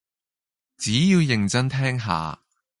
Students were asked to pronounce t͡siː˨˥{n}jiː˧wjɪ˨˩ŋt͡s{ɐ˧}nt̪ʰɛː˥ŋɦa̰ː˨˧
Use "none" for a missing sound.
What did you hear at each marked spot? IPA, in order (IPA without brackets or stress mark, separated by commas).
none, ɐ˥